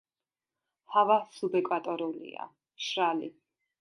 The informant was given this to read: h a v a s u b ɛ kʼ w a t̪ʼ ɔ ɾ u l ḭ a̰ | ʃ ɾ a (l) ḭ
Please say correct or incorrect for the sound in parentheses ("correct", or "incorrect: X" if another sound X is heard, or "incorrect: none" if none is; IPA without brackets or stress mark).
correct